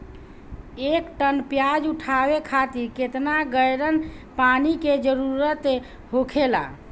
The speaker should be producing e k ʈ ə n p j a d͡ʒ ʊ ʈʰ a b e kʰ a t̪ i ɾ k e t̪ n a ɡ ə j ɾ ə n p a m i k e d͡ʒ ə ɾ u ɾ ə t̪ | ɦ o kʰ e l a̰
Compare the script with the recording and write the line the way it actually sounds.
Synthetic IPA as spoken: e k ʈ ə n p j a d͡ʒ u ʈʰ a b e kʰ a t̪ i ɾ k e t̪ n a ɡ ə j ɾ ə n p a n i k e d͡ʒ ə ɾ u ɾ ə t̪ | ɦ o kʰ e l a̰